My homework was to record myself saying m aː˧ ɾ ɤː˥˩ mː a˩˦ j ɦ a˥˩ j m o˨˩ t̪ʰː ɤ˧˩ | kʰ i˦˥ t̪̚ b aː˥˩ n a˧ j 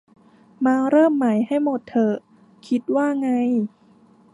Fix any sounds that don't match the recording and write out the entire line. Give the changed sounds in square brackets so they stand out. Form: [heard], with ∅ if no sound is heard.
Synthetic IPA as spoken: m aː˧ ɾ ɤː˥˩ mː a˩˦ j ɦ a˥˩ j m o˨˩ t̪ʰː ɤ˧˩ | kʰ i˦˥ t̪̚ [w] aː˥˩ [ŋ] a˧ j